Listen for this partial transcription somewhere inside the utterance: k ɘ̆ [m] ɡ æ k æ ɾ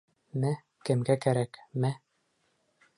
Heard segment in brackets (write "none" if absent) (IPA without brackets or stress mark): m